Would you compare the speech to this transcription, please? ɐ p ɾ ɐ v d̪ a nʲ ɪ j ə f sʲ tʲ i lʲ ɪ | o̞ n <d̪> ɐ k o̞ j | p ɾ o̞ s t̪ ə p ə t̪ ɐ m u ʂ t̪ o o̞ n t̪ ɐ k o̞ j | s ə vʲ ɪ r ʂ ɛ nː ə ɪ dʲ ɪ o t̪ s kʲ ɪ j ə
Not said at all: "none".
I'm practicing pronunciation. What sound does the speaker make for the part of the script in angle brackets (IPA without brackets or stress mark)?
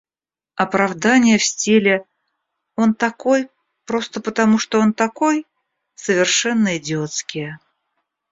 t̪